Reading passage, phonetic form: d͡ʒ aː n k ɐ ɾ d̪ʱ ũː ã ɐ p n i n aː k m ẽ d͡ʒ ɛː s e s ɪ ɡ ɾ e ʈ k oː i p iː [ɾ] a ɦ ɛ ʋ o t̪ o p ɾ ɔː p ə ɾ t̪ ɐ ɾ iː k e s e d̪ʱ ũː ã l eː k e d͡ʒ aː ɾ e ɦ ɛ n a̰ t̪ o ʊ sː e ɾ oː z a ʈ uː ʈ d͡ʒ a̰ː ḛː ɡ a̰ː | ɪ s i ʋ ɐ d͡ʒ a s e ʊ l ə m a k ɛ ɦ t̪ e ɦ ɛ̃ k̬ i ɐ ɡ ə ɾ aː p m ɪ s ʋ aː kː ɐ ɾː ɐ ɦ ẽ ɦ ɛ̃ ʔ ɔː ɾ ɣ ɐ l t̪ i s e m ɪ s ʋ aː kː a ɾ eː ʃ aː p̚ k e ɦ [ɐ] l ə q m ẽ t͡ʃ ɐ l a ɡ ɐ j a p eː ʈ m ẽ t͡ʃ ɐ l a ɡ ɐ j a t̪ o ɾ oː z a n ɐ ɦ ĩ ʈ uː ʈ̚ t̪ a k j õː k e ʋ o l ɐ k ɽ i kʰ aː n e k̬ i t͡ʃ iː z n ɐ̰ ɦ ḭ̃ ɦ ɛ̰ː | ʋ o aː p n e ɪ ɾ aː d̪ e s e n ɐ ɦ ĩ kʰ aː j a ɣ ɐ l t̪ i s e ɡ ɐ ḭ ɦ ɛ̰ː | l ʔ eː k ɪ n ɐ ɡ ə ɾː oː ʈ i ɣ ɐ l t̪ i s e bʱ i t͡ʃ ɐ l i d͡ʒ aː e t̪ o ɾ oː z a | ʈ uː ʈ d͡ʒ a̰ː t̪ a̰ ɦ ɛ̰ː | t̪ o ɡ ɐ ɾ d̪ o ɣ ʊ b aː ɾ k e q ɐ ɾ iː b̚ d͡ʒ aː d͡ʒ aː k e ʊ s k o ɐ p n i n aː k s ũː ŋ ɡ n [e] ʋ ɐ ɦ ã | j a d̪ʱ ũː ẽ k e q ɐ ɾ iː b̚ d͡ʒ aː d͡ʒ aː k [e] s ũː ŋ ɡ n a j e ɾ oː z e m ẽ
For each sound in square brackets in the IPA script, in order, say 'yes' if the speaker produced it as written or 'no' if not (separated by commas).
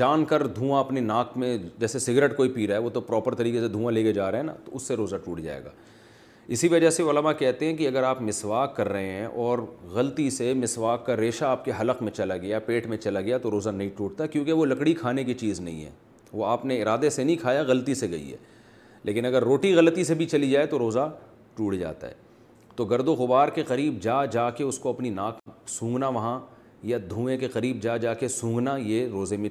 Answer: yes, yes, no, yes